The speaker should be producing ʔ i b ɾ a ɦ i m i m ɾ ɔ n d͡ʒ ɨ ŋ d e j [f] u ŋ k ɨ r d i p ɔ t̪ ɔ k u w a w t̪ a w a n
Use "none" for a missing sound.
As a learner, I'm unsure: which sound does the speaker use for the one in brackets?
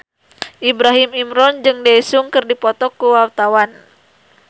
s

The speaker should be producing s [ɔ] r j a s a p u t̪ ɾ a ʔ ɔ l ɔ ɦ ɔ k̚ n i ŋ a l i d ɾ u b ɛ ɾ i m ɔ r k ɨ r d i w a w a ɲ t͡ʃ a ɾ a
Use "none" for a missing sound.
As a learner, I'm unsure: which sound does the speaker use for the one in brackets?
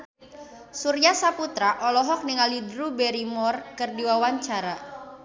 u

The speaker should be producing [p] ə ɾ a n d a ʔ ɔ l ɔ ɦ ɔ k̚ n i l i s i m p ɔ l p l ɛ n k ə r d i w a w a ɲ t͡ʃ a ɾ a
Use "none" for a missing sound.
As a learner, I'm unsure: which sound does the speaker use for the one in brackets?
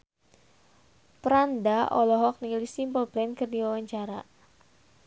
p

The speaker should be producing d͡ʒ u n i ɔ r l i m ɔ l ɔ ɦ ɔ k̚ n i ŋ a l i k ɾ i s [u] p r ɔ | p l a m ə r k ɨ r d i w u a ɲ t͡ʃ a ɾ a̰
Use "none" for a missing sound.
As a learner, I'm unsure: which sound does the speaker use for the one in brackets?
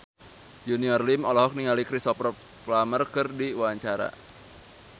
ɔ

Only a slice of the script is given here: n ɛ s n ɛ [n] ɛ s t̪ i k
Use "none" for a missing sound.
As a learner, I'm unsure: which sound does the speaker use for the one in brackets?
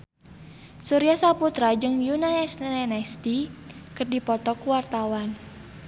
n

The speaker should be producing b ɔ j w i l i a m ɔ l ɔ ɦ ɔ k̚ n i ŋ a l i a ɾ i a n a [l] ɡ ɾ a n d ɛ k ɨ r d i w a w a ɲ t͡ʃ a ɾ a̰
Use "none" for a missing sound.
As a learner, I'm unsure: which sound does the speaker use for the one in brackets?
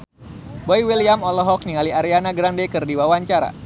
none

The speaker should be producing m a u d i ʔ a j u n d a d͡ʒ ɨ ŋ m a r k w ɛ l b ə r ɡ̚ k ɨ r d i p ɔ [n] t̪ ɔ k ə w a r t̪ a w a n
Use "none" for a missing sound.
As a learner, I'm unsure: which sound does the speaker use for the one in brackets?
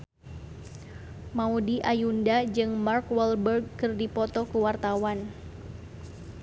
none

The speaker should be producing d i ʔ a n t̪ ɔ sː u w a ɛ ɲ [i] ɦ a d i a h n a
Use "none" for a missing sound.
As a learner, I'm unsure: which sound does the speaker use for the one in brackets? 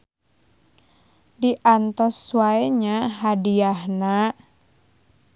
a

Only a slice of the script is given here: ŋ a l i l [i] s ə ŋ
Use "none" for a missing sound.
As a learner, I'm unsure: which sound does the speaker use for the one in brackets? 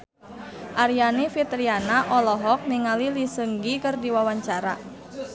i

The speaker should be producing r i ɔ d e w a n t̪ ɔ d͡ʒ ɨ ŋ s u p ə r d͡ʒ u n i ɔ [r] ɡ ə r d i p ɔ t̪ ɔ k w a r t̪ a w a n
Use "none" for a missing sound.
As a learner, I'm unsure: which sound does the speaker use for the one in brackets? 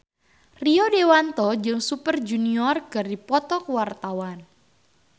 r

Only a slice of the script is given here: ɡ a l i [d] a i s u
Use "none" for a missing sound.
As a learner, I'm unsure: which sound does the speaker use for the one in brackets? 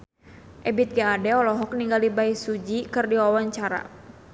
b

